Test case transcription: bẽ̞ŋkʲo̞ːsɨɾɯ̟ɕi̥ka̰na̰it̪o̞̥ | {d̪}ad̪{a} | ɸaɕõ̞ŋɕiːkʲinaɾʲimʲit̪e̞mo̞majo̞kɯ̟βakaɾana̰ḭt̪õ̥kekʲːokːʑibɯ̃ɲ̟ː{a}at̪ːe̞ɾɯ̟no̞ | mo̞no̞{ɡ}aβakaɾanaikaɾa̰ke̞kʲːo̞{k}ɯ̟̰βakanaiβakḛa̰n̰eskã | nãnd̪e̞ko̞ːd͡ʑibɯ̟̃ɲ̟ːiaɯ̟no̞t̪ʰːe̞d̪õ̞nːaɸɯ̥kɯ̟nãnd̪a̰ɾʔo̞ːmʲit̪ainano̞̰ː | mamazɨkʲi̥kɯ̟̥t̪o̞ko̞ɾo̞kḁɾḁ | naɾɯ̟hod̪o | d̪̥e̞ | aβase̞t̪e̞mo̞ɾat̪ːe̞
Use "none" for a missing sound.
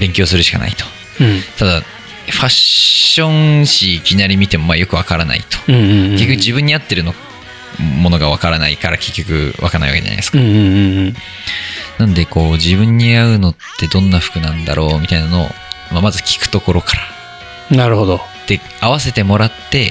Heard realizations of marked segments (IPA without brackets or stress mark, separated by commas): t̪, a, i, ɡ, k